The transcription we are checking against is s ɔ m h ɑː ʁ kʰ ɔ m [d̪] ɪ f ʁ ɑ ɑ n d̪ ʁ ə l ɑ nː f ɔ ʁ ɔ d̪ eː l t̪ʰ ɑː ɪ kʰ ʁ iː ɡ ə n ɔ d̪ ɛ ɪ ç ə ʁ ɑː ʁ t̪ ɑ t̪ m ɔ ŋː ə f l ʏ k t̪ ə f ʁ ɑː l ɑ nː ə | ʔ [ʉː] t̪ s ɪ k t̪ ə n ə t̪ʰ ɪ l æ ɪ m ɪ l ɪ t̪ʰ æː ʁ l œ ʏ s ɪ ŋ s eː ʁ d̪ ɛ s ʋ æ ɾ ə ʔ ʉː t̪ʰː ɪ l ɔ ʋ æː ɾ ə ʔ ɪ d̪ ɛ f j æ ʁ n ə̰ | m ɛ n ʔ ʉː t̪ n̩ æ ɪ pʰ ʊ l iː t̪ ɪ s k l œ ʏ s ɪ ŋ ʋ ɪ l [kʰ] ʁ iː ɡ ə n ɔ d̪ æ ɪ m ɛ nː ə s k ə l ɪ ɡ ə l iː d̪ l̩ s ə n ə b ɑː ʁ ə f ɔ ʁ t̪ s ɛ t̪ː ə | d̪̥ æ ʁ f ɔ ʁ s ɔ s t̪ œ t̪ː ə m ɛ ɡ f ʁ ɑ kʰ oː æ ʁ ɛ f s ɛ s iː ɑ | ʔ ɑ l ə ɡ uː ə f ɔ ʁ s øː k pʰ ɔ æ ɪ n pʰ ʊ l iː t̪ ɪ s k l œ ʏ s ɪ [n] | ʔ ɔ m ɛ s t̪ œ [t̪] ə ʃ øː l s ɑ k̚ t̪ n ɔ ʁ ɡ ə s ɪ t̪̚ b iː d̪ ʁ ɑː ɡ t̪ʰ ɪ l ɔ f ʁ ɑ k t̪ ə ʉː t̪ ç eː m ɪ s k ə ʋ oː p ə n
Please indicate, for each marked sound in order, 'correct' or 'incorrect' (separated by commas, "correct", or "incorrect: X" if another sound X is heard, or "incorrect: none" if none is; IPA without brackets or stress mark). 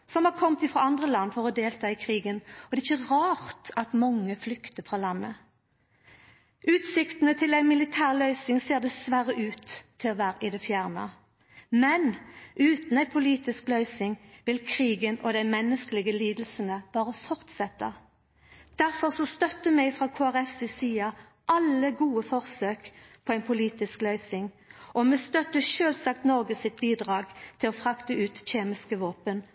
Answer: incorrect: t̪, correct, correct, incorrect: ŋ, correct